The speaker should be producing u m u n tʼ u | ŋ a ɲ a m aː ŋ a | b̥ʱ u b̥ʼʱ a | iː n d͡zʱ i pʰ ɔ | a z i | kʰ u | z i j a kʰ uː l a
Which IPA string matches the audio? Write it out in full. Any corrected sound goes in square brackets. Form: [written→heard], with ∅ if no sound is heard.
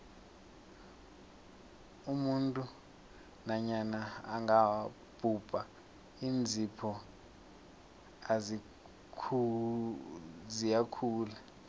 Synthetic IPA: u m u n tʼ u | [ŋ→n] a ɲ a [m→n] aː ŋ a | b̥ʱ u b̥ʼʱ a | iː n d͡zʱ i pʰ ɔ | a z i | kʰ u | z i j a kʰ uː l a